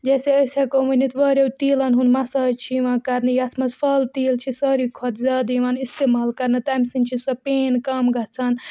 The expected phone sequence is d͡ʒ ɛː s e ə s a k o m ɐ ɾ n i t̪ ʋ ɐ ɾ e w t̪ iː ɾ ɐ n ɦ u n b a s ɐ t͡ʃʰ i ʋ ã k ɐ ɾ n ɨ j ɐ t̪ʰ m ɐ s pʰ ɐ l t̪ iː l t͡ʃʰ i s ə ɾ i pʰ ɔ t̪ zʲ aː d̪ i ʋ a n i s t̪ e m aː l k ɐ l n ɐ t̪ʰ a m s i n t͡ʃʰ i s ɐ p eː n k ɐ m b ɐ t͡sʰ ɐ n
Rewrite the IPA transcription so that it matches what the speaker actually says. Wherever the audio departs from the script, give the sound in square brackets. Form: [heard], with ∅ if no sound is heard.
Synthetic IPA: d͡ʒ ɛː s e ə s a k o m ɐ [∅] n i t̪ ʋ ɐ ɾ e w t̪ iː [l] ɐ n ɦ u n [m] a s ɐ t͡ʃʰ i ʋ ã k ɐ ɾ n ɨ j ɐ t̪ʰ m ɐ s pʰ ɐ l t̪ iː l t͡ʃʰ i s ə ɾ i [kʰ] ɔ t̪ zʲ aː d̪ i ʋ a n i s t̪ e m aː l k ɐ [ɾ] n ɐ [t̪] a m s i n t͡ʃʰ i s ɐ p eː n k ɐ m [ɡ] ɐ t͡sʰ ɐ n